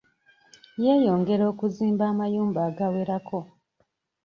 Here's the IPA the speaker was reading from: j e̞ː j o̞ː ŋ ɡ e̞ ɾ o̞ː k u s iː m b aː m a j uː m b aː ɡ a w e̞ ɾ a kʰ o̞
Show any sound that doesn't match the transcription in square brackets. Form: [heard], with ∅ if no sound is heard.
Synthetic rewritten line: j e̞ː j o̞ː ŋ ɡ e̞ ɾ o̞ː k u [z] iː m b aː m a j uː m b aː ɡ a w e̞ ɾ a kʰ o̞